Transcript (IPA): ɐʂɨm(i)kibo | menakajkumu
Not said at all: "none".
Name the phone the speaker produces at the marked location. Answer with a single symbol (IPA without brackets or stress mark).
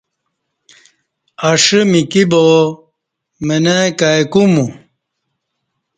i